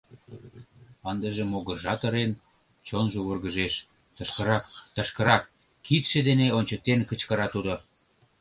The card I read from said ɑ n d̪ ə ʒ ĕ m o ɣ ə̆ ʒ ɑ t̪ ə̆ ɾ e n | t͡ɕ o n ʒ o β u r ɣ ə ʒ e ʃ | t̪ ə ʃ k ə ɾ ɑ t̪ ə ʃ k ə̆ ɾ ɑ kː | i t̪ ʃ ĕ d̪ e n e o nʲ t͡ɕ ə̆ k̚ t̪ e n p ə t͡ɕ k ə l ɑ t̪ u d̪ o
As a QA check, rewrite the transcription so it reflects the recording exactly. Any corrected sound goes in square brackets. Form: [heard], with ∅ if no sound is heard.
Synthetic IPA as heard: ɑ n d̪ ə ʒ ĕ m o ɣ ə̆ ʒ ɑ t̪ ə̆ ɾ e n | t͡ɕ o n ʒ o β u r ɣ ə ʒ e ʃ | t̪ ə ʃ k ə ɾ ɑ t̪ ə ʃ k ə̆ ɾ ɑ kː | i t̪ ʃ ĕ d̪ e n e o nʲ t͡ɕ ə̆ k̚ t̪ e n [k] ə t͡ɕ k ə [ɾ] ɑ t̪ u d̪ o